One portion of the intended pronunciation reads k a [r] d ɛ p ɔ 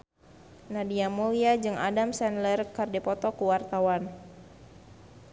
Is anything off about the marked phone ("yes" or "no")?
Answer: no